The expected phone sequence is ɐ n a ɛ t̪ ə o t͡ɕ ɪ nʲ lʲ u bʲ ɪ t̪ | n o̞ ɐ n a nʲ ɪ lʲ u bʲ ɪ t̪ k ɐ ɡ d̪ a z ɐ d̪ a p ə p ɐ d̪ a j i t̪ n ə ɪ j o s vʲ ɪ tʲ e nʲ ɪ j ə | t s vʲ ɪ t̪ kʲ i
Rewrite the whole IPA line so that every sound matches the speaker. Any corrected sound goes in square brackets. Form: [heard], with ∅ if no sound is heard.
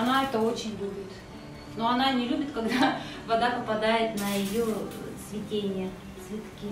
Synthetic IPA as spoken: ɐ n a ɛ t̪ ə o t͡ɕ ɪ nʲ lʲ u bʲ ɪ t̪ | n o̞ ɐ n a nʲ ɪ lʲ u bʲ ɪ t̪ k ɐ ɡ d̪ a [v] ɐ d̪ a p ə p ɐ d̪ a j [ɪ] t̪ n ə ɪ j o s vʲ ɪ tʲ e nʲ ɪ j ə | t s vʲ ɪ t̪ kʲ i